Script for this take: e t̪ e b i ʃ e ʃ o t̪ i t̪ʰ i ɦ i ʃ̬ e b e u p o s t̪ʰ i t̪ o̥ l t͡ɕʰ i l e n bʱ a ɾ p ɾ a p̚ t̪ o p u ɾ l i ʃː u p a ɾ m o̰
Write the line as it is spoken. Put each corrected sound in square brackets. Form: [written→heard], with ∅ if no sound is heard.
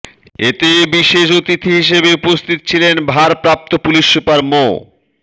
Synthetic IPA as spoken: e t̪ e b i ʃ e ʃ o t̪ i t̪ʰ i ɦ i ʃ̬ e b e u p o s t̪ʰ i t̪ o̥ [l→∅] t͡ɕʰ i l e n bʱ a ɾ p ɾ a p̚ t̪ o p u [ɾ→∅] l i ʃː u p a ɾ m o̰